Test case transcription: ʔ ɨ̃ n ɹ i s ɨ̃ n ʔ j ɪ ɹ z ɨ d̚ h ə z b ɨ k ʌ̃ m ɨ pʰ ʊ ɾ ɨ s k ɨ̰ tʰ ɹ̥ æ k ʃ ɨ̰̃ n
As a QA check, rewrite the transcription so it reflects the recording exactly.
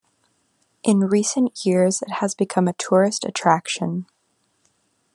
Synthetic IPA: ʔ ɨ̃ n ɹ i s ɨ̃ n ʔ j ɪ ɹ z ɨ t̚ h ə z b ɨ kʰ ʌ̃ m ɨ tʰ ʊ ɹ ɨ s t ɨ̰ tʰ ɹ̥ æ k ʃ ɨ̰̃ n